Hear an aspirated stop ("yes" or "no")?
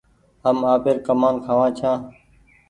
yes